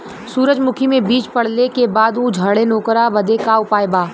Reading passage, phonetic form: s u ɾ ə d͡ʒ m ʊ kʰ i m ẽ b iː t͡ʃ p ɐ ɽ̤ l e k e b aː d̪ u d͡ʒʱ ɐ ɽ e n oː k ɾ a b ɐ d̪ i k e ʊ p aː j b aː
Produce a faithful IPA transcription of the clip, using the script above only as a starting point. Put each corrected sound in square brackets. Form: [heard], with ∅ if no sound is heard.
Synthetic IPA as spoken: s [uː] ɾ ə d͡ʒ m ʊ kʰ i m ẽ b iː t͡ʃ p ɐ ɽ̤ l e k e b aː d̪ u d͡ʒʱ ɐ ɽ e n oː k ɾ a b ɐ d̪ [e] k [a] ʊ p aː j b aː